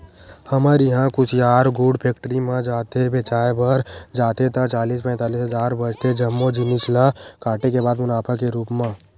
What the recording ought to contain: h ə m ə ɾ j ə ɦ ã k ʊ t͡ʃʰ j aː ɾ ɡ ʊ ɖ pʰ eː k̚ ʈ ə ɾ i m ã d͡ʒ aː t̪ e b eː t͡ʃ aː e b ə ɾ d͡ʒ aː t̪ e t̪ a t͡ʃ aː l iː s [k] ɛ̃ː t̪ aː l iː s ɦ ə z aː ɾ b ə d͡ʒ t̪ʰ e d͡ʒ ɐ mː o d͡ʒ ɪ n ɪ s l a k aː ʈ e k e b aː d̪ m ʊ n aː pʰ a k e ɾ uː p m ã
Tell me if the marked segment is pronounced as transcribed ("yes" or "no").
no